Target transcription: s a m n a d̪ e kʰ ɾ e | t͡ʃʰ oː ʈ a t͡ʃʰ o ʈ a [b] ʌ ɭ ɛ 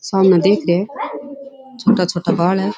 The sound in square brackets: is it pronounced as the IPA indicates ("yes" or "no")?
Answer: yes